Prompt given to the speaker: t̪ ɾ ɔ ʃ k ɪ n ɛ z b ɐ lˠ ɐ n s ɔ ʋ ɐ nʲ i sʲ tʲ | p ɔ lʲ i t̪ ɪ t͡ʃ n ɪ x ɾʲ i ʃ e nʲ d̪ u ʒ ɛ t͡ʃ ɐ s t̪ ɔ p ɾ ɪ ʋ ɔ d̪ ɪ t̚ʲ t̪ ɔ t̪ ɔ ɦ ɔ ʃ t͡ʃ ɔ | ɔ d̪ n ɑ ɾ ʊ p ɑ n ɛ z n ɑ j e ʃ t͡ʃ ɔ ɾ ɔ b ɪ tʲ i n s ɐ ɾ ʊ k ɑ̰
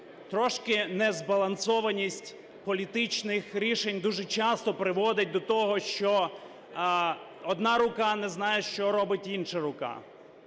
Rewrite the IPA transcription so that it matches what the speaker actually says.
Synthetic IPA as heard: t̪ ɾ ɔ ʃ k ɪ n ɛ z b ɐ lˠ ɐ n s ɔ ʋ ɐ nʲ i sʲ tʲ | p ɔ lʲ i t̪ ɪ t͡ʃ n ɪ x ɾʲ i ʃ e nʲ d̪ u ʒ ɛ t͡ʃ ɑ s t̪ ɔ p ɾ ɪ ʋ ɔ d̪ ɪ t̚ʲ d̪ ɔ t̪ ɔ ɦ ɔ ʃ t͡ʃ ɔ | ɔ d̪ n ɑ ɾ ʊ k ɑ n ɛ z n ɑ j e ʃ t͡ʃ ɔ ɾ ɔ b ɪ tʲ i n ʃ ɐ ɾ ʊ k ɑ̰